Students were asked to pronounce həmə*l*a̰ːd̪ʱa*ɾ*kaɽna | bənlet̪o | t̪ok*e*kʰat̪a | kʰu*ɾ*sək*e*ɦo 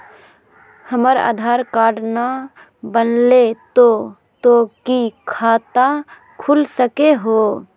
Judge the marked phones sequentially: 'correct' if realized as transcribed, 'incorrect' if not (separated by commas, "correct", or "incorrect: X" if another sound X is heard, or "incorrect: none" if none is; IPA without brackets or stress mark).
incorrect: ɾ, correct, incorrect: i, incorrect: l, correct